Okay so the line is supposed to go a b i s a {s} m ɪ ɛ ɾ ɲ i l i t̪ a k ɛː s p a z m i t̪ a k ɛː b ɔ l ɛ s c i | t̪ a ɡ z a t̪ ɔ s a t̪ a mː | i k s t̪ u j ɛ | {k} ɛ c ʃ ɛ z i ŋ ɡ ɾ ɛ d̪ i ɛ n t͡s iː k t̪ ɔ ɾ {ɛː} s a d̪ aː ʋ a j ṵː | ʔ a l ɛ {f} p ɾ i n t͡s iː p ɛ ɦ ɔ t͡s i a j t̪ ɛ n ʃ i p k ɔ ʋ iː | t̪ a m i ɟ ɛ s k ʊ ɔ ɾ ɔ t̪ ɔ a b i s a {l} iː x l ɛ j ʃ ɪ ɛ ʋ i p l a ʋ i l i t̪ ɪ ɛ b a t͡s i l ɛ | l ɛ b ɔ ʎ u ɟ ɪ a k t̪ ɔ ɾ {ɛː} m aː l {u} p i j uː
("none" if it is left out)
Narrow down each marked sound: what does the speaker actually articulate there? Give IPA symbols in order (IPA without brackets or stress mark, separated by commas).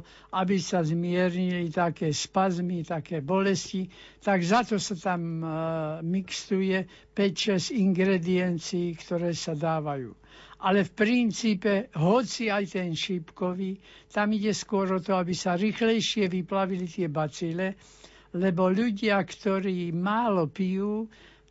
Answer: z, p, ɛː, f, ɾ, iː, ɔ